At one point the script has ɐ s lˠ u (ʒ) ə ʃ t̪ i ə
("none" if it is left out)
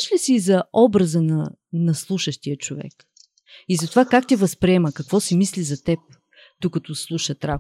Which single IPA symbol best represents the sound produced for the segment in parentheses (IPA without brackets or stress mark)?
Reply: ʃ